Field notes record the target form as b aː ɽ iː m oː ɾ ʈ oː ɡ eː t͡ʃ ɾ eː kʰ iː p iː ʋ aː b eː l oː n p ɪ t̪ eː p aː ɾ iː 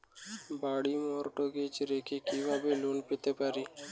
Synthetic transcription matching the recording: b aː ɽ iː m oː ɾ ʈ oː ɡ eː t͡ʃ ɾ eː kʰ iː k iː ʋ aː b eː l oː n p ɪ t̪ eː p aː ɾ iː